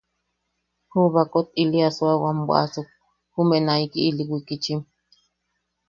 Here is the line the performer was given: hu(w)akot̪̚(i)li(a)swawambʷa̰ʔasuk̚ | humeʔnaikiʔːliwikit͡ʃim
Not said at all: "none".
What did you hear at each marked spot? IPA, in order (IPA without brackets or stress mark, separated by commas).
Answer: β, i, a